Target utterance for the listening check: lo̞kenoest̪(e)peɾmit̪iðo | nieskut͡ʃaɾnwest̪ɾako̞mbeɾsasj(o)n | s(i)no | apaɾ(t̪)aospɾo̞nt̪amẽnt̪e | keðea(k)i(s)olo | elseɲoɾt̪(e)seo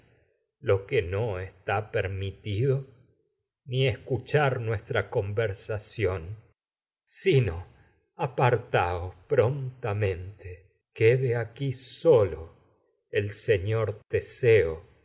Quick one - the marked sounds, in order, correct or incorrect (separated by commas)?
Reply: incorrect, correct, correct, correct, correct, correct, correct